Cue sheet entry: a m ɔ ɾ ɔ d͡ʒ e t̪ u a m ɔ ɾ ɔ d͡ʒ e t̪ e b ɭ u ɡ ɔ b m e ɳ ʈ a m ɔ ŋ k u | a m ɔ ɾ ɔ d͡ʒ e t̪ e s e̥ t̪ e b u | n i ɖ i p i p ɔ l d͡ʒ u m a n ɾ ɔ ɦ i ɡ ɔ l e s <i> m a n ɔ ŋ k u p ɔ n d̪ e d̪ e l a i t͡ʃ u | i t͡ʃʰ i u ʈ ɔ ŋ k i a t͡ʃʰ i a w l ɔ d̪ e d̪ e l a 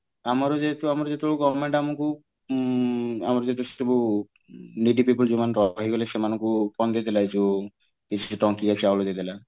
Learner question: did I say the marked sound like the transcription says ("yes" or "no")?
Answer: no